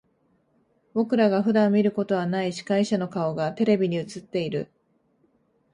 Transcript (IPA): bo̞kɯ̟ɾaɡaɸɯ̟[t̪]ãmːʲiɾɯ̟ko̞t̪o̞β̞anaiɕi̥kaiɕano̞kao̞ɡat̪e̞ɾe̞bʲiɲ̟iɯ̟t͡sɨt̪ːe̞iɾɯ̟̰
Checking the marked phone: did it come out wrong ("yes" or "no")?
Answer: yes